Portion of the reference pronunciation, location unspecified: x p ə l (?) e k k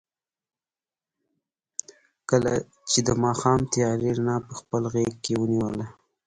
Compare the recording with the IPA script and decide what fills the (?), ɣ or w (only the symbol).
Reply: ɣ